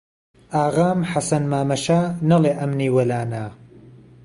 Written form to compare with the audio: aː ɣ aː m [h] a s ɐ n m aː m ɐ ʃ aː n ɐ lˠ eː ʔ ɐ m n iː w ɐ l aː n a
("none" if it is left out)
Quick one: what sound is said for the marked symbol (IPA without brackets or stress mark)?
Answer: ħ